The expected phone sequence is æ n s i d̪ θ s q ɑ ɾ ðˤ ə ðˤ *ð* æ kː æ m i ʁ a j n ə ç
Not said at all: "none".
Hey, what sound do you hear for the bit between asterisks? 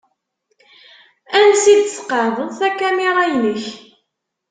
θ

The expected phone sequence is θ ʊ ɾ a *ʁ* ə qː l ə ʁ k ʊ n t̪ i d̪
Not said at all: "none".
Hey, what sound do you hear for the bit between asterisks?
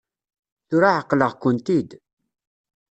ʕ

